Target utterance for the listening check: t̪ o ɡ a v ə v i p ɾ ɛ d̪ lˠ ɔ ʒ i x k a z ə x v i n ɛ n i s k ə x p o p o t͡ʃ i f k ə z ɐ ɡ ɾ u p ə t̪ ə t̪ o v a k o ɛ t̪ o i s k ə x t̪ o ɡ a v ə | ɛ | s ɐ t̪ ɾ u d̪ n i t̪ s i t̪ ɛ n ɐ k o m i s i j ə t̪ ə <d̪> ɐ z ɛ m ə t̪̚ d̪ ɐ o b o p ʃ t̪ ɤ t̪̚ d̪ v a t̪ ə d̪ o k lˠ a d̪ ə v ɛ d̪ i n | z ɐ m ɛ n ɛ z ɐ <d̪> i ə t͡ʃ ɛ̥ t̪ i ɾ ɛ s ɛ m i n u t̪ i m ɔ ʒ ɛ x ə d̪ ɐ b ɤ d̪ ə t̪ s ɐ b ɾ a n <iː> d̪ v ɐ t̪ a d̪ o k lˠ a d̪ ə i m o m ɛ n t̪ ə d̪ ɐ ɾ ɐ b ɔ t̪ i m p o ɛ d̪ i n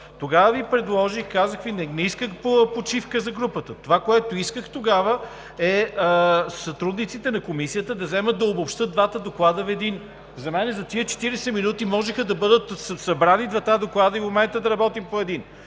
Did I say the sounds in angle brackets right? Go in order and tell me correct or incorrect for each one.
correct, incorrect, incorrect

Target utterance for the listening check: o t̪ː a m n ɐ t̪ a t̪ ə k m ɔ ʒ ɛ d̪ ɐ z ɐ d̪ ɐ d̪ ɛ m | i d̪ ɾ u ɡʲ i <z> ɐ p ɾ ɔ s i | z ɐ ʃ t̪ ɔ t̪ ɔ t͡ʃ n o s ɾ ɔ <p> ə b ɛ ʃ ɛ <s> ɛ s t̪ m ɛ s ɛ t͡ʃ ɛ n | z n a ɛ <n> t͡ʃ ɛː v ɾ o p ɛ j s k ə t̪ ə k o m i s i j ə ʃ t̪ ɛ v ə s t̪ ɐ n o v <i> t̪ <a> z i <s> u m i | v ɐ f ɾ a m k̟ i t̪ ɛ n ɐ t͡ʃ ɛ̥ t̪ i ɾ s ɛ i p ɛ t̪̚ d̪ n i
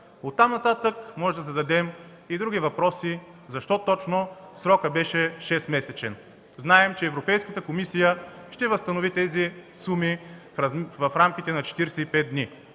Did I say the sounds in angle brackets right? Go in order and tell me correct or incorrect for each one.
incorrect, incorrect, incorrect, incorrect, correct, incorrect, correct

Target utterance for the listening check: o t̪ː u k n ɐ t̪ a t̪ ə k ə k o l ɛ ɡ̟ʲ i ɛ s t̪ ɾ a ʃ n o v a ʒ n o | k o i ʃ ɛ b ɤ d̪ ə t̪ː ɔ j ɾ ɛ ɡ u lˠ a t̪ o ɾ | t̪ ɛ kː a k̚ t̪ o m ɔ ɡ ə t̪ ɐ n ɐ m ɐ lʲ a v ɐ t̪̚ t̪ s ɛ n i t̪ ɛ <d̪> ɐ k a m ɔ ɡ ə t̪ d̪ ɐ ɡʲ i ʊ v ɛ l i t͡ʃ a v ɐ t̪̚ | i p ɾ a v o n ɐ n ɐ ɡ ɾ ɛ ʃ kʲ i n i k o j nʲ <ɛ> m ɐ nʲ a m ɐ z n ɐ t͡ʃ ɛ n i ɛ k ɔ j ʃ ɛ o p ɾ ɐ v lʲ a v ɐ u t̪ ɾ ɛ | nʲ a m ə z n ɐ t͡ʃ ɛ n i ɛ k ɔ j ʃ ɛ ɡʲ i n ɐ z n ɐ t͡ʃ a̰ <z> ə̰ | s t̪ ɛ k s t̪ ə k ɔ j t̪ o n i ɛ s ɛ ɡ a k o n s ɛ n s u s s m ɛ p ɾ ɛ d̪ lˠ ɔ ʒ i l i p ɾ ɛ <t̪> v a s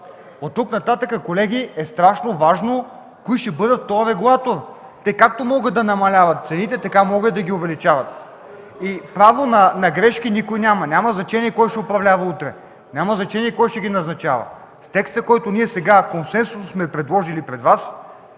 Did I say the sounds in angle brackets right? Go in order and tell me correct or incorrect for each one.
incorrect, incorrect, incorrect, incorrect

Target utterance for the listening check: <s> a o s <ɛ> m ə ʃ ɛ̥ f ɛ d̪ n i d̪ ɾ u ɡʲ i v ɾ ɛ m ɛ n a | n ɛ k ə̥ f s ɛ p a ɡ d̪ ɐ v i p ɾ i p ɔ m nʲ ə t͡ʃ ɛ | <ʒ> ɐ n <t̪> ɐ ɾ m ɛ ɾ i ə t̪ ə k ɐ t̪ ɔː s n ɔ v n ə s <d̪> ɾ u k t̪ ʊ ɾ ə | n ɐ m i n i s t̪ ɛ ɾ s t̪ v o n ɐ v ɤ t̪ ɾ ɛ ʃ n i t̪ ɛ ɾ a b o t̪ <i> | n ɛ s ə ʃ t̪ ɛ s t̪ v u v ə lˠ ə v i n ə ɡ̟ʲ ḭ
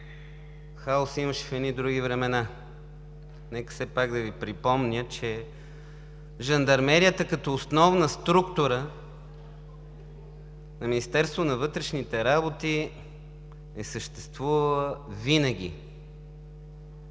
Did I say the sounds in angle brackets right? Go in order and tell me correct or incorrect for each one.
incorrect, incorrect, correct, incorrect, incorrect, correct

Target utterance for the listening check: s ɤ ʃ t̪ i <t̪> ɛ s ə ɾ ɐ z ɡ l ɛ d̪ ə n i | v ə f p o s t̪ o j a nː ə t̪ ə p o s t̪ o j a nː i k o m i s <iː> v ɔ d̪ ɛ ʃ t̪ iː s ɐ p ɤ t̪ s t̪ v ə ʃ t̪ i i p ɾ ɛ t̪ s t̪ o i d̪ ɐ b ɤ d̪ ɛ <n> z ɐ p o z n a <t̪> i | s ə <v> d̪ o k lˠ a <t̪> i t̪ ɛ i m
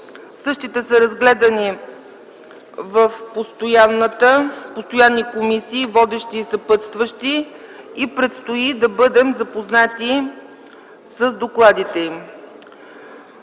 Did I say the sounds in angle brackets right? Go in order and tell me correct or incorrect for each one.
correct, correct, incorrect, correct, incorrect, incorrect

